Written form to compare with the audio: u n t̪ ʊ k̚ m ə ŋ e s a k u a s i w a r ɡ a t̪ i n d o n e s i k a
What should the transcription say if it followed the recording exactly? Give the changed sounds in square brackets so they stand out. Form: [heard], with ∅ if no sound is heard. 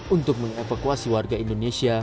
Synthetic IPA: u n t̪ ʊ k̚ m ə ŋ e [f] a k u a s i w a r ɡ a [∅] i n d o n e s i [∅] a